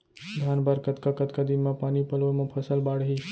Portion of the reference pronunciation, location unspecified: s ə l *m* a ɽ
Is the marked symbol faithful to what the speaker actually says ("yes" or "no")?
no